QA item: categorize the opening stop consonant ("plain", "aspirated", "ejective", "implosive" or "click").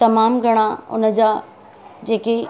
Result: plain